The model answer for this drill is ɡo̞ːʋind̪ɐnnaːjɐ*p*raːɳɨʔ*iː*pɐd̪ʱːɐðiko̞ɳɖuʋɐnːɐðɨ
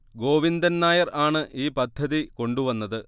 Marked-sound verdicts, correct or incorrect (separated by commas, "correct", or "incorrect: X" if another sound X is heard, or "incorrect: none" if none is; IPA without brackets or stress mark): incorrect: none, correct